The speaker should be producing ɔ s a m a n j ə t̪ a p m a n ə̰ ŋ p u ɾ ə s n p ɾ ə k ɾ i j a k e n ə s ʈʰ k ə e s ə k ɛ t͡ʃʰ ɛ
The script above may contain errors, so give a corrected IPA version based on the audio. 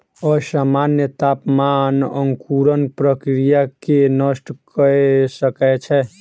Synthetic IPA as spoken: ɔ s a m a n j ə t̪ a p m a n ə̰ ŋ k u ɾ ə n p ɾ ə k ɾ i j a k e n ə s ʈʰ k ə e s ə k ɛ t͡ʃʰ ɛ